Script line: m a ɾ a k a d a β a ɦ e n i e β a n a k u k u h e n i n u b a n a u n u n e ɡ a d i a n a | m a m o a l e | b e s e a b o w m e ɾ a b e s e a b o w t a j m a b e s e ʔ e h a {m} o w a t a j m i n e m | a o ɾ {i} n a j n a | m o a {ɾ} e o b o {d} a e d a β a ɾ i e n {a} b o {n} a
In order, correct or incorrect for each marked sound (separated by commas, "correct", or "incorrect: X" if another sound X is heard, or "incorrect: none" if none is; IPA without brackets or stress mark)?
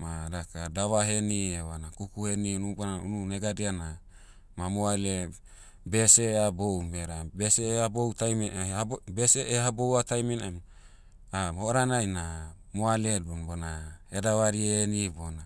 incorrect: b, incorrect: a, incorrect: l, incorrect: n, incorrect: i, correct